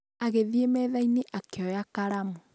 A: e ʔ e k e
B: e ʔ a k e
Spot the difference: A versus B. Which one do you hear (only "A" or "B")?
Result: B